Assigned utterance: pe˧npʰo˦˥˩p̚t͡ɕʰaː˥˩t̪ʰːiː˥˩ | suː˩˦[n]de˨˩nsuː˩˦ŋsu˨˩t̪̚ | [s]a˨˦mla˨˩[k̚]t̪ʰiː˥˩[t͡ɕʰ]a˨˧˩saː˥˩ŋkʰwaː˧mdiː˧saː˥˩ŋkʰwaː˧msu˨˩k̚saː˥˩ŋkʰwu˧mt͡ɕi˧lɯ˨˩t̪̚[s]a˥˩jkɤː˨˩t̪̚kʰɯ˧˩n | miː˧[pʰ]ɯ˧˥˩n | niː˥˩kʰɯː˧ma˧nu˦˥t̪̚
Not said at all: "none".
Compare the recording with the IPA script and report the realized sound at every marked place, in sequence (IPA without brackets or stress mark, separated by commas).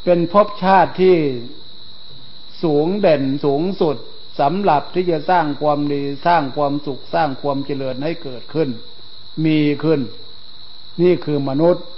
ŋ, s, p̚, t͡ɕ, h, kʰ